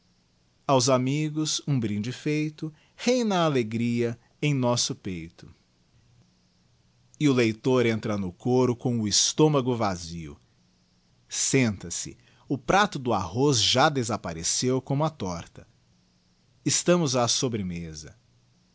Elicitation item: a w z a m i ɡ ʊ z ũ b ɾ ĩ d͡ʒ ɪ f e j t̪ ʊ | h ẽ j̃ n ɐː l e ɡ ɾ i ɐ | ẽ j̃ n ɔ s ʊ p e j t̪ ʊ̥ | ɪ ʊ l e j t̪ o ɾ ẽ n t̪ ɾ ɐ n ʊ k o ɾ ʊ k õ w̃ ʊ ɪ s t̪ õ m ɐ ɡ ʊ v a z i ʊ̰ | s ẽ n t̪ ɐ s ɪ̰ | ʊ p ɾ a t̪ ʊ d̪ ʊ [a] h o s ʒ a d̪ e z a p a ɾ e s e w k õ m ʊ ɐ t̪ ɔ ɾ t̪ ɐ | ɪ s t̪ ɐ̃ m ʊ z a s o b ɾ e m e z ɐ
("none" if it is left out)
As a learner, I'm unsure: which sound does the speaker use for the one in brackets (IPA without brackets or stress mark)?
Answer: a